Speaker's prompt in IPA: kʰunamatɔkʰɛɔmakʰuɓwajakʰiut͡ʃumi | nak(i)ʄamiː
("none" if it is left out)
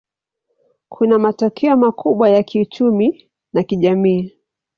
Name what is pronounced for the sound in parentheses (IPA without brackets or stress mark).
i